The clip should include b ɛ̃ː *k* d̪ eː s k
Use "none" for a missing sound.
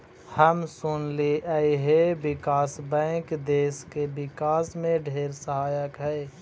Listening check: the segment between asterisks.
k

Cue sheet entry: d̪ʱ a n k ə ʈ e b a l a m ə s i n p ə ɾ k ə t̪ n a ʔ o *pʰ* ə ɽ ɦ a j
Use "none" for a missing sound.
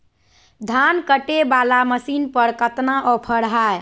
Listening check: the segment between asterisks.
pʰ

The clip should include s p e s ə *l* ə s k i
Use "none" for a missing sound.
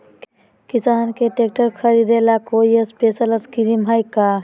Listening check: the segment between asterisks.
l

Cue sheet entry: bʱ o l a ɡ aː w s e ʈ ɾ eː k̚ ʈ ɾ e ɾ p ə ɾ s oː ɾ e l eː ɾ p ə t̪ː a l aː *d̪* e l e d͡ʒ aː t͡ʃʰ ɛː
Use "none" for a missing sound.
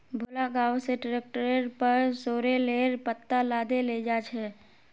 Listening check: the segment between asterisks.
d̪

